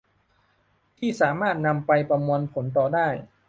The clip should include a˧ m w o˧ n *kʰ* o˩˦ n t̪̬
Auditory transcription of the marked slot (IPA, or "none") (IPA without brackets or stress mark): pʰ